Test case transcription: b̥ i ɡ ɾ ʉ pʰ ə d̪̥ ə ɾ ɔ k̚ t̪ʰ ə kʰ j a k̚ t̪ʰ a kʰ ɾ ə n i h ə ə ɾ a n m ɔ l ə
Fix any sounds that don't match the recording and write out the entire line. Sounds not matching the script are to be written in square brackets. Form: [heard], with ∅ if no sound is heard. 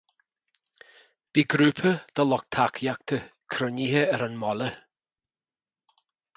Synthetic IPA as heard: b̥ i ɡ ɾ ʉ pʰ ə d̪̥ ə [l] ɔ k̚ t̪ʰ [a] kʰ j a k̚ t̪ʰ [ə] kʰ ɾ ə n i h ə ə ɾ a n m ɔ l ə